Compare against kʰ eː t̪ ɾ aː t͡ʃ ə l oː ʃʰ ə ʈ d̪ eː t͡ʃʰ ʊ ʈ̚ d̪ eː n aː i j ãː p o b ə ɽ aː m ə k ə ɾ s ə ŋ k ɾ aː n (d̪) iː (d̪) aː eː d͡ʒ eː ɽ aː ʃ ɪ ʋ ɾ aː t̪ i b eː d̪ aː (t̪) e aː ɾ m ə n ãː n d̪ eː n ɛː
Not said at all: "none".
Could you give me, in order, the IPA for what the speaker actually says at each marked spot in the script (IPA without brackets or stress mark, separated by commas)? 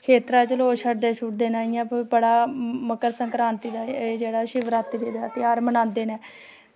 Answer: t̪, d̪, t̪